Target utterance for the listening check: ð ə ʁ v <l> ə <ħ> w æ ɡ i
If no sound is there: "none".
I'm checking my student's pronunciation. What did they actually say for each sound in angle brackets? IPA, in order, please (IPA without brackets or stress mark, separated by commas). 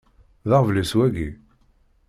l, s